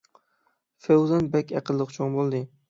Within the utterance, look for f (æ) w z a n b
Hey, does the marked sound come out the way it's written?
no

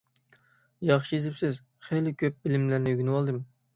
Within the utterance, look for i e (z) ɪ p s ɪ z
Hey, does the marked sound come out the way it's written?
yes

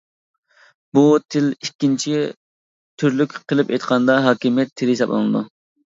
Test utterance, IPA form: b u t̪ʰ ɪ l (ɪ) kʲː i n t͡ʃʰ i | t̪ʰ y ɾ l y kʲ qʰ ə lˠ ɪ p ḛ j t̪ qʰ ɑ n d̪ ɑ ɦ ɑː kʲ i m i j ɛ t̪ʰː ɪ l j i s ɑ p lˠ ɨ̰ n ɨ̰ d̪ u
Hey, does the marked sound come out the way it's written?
no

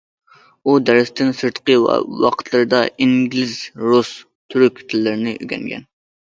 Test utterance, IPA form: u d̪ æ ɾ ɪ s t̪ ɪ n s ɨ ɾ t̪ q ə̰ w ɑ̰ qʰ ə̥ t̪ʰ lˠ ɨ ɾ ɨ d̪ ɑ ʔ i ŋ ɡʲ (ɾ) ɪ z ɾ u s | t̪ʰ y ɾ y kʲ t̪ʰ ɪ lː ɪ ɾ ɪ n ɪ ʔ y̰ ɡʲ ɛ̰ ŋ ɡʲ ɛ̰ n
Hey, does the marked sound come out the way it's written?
no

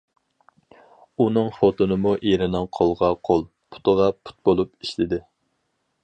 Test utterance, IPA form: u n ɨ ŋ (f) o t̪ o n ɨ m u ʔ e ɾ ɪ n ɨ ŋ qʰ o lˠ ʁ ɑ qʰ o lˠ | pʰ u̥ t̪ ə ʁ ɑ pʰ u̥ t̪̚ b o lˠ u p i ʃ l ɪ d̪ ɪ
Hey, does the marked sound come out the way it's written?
yes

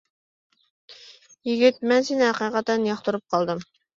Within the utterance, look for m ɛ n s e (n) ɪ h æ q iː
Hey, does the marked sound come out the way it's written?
yes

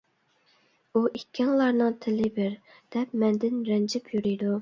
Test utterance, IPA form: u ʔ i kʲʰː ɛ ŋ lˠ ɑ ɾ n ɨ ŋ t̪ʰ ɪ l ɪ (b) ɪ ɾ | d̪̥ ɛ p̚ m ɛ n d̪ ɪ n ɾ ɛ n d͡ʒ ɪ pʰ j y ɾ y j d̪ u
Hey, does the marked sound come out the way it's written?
yes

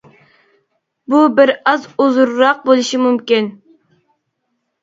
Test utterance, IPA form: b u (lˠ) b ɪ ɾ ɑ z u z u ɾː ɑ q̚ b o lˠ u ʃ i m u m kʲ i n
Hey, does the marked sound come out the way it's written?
no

